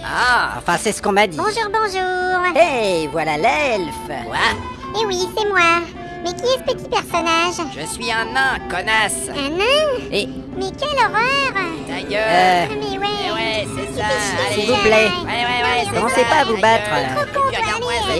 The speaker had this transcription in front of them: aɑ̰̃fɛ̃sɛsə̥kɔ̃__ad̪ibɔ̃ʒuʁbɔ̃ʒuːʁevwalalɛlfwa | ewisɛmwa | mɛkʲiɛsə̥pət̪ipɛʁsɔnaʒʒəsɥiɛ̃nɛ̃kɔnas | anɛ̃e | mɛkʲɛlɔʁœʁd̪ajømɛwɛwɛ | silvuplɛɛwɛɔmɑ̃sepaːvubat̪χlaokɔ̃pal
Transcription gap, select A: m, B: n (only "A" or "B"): A